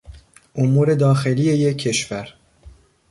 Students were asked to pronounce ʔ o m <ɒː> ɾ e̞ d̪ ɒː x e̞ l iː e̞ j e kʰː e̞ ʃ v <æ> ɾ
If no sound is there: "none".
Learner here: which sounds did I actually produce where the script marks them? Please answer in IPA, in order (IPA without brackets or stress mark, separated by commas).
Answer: uː, æ